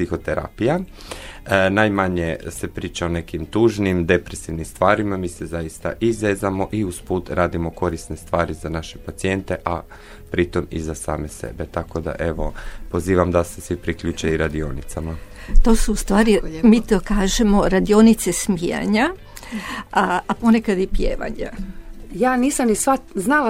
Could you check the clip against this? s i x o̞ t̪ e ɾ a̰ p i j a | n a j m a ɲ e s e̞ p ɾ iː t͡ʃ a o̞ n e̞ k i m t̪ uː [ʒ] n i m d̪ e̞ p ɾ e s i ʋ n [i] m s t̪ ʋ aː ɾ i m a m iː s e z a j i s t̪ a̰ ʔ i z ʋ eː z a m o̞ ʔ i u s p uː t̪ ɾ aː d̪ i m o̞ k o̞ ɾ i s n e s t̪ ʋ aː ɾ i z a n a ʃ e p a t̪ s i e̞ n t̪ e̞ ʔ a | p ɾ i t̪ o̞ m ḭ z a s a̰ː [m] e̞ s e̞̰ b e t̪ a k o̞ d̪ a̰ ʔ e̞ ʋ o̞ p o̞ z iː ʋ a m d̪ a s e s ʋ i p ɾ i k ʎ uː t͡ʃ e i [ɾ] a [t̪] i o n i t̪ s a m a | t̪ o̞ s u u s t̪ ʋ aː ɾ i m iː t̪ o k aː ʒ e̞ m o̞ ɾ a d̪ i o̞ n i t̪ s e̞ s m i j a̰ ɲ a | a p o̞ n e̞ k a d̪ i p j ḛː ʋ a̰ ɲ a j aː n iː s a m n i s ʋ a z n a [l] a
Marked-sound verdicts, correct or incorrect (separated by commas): correct, correct, correct, correct, incorrect, correct